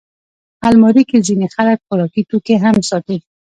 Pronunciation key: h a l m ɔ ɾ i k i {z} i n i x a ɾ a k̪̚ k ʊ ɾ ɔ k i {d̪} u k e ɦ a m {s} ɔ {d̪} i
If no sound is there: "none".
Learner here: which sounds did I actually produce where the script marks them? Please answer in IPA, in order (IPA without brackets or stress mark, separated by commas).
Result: z, t̪, s, t̪